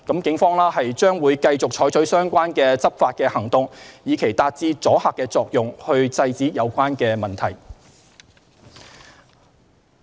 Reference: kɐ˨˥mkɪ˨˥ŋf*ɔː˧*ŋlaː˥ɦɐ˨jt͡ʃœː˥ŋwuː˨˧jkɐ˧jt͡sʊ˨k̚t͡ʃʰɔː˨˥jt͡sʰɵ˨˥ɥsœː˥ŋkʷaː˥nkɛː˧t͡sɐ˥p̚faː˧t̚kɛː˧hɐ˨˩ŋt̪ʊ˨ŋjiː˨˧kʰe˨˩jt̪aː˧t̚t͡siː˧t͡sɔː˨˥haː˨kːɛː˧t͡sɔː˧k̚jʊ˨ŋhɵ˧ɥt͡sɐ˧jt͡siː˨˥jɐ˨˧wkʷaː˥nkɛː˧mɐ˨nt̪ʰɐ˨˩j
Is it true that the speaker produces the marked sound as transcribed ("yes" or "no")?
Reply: no